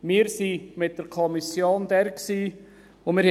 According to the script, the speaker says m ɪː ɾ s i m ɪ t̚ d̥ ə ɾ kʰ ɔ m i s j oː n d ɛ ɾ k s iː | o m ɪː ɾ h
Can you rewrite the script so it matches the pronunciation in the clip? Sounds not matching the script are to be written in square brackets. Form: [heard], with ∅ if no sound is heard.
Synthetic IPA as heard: m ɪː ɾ s i m ɪ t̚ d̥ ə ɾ kʰ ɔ m i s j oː n d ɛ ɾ k s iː | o m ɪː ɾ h